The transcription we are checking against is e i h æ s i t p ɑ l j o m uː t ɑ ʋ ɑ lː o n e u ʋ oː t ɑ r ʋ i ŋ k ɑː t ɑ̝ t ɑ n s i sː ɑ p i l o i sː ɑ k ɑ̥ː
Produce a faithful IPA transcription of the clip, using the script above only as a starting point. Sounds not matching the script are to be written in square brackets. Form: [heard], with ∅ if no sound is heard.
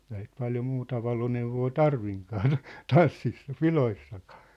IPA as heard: e i h æ s i t p ɑ l j o m uː t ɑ ʋ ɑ [l] o n e u ʋ oː t ɑ r ʋ i ŋ k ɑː t ɑ̝ t ɑ n [sː] i sː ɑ p i l o i sː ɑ k ɑ̥ː